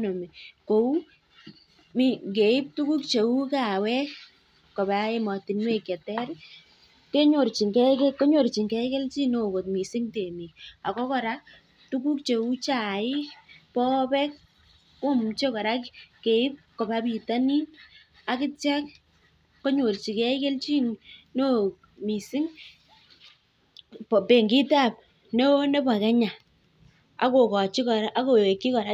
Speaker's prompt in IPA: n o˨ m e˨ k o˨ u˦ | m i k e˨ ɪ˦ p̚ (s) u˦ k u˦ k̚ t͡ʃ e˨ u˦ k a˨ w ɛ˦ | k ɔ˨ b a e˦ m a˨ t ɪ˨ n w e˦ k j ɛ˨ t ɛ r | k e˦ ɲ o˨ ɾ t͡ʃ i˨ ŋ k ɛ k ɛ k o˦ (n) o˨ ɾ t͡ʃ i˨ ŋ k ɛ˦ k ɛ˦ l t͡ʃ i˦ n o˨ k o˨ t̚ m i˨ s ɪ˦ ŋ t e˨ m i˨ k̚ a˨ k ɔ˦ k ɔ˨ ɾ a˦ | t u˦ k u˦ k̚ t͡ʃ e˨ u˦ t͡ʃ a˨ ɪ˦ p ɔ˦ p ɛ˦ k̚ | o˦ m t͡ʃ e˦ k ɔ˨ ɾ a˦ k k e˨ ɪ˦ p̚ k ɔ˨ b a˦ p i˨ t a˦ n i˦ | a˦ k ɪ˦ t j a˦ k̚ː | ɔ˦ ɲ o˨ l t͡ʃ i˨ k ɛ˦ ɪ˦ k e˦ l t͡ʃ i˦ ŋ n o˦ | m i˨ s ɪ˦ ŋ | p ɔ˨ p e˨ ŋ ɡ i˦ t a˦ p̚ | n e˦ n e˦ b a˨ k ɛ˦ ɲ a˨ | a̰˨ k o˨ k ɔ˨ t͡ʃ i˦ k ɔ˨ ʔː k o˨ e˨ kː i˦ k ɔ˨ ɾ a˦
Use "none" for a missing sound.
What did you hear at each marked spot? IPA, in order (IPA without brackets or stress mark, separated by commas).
t, ɲ